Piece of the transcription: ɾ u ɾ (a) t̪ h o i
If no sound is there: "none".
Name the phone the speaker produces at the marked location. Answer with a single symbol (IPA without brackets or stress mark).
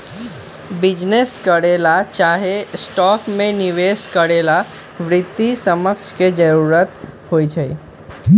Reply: ə